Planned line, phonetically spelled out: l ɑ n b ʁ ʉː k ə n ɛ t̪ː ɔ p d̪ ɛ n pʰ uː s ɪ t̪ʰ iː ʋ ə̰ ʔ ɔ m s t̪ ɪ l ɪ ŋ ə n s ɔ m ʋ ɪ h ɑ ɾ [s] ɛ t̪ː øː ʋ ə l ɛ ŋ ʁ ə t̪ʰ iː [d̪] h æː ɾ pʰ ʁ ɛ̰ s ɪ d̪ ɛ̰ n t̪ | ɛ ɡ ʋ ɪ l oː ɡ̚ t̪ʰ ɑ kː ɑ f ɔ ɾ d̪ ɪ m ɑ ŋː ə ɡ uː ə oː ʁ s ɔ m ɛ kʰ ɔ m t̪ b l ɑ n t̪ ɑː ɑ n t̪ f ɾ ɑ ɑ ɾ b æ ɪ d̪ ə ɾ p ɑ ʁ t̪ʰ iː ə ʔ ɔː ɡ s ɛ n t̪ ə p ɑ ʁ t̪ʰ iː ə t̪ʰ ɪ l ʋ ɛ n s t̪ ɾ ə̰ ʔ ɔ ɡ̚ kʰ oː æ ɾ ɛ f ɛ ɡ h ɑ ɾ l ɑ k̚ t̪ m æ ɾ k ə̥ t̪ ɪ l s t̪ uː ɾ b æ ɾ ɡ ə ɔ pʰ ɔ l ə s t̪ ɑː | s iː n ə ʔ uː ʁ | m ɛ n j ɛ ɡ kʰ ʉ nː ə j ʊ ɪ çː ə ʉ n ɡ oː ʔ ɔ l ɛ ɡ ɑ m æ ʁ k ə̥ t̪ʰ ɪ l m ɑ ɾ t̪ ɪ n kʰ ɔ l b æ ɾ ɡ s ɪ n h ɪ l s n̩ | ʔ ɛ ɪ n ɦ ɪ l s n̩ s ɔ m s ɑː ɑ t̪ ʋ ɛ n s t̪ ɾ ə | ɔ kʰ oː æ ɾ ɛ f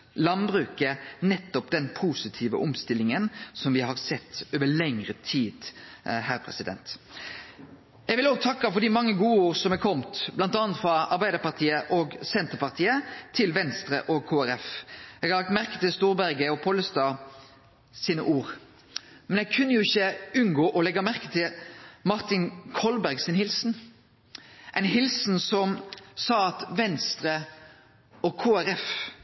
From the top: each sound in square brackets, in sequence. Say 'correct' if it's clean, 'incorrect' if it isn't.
correct, correct

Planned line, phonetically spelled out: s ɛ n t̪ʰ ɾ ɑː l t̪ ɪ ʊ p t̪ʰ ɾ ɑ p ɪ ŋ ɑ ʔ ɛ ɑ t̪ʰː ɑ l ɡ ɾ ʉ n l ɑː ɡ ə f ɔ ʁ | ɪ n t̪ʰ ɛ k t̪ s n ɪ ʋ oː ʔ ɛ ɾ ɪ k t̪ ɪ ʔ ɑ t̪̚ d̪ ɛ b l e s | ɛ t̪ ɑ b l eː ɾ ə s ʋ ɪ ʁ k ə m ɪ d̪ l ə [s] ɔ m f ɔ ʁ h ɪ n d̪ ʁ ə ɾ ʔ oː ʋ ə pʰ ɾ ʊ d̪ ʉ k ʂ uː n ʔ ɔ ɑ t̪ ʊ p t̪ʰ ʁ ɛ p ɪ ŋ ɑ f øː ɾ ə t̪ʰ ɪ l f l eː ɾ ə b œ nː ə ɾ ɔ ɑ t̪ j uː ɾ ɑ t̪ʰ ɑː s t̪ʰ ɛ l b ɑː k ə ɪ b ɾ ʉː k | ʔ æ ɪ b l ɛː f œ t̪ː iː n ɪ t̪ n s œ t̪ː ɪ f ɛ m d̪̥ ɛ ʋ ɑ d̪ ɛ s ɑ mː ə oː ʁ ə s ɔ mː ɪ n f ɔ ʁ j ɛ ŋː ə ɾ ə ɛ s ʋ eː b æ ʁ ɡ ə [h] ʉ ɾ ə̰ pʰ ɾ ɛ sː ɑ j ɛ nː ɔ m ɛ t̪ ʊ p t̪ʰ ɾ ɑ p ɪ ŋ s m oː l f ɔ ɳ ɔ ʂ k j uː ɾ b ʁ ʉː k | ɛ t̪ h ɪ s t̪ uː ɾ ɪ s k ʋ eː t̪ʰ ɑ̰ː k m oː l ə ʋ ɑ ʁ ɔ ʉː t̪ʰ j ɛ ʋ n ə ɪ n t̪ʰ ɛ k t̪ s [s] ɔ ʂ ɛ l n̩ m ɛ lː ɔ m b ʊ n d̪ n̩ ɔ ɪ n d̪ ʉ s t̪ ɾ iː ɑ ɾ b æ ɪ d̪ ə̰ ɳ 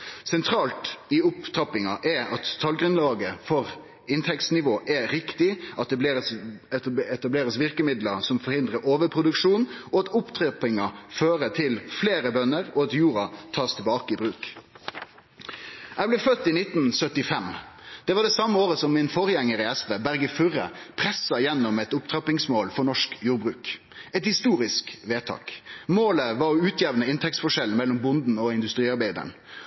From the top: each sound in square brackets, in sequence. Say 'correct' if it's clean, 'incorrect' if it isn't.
correct, incorrect, incorrect

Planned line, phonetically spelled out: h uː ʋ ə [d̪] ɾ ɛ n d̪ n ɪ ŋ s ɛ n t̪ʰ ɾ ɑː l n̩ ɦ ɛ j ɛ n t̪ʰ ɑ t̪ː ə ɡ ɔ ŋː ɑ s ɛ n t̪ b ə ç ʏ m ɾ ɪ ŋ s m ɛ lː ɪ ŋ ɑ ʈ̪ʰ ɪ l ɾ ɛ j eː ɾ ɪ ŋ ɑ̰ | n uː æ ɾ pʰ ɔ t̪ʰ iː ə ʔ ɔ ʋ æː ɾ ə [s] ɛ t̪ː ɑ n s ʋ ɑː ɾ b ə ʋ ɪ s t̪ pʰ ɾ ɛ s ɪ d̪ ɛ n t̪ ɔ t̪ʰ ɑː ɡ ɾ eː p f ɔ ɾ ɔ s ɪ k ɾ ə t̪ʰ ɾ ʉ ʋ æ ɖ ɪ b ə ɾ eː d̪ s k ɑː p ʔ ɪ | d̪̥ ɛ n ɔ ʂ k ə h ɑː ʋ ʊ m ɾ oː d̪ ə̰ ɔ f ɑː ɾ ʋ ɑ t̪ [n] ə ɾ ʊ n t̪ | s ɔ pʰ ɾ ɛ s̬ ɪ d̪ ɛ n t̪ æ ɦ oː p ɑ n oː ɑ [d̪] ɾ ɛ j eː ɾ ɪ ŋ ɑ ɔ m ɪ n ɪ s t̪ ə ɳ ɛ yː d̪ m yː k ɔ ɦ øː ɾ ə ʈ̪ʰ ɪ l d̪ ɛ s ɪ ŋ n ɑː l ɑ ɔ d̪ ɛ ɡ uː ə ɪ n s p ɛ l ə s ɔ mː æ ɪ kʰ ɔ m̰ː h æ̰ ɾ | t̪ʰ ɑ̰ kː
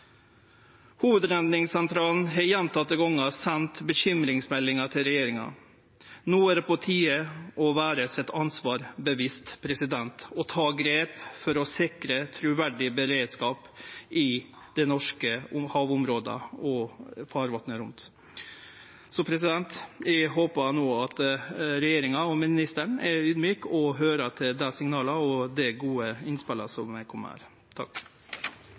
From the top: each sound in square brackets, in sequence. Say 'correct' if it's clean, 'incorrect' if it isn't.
correct, correct, correct, incorrect

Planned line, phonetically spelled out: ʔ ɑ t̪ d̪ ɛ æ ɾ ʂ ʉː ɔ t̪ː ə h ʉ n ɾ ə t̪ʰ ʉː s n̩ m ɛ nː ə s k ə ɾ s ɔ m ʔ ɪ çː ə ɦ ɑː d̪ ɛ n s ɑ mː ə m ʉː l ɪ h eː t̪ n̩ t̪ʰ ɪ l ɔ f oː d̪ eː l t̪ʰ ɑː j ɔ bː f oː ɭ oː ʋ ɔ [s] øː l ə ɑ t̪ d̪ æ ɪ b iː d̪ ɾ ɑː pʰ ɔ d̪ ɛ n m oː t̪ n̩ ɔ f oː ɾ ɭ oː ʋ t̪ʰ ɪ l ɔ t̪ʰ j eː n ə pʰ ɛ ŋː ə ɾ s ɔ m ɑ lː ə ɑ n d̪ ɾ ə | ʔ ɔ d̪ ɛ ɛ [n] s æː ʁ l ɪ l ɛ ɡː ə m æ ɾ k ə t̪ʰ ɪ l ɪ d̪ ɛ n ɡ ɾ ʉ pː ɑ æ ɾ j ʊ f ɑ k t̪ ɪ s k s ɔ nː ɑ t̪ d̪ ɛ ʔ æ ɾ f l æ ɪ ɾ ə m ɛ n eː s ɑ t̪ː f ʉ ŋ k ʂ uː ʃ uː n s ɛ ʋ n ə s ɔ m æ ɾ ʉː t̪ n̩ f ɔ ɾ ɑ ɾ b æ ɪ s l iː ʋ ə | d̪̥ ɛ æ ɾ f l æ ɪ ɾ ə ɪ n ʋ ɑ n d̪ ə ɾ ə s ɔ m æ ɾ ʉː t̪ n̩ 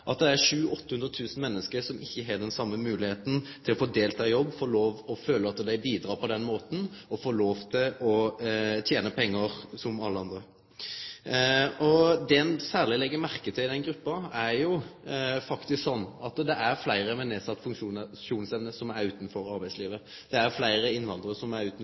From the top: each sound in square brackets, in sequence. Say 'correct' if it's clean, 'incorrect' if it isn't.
incorrect, correct

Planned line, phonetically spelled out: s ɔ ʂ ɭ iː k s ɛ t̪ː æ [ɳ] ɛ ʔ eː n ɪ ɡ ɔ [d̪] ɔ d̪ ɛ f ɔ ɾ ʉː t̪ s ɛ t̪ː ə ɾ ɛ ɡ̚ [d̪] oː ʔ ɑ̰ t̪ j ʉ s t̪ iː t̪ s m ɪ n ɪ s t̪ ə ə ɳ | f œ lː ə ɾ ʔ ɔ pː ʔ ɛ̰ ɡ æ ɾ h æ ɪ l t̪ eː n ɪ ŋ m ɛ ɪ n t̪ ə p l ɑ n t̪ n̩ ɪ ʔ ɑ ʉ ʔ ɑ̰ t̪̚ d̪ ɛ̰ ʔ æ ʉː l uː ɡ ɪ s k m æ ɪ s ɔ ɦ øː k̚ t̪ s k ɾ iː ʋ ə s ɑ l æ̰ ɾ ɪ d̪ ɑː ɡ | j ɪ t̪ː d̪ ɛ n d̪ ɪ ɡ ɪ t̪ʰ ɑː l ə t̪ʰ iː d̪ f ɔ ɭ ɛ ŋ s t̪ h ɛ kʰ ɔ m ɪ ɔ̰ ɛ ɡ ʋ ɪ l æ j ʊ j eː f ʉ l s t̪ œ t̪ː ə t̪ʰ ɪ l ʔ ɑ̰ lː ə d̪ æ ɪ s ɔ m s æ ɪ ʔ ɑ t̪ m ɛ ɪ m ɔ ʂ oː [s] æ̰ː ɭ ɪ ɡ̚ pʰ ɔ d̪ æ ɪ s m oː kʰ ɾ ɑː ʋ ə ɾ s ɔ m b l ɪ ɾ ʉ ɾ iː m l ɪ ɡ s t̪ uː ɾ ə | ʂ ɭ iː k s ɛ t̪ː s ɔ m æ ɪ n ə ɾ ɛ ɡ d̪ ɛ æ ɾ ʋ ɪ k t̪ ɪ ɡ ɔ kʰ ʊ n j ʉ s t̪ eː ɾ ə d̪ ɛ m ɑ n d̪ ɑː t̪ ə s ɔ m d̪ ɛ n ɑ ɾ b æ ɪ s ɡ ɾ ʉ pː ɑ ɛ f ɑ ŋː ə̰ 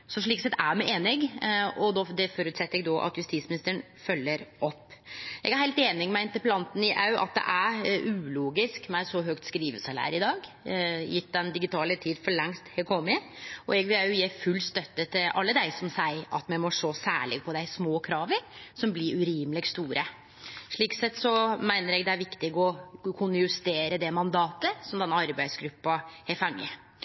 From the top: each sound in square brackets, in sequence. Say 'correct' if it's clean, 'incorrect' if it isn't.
incorrect, correct, correct, correct

